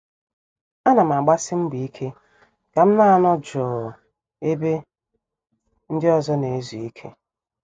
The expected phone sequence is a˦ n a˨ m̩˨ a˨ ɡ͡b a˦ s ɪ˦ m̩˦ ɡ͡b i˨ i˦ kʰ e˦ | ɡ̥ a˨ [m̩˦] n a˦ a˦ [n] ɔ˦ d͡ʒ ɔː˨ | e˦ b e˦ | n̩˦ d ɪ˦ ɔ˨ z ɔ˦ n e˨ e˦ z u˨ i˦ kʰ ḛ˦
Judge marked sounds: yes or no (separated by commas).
yes, yes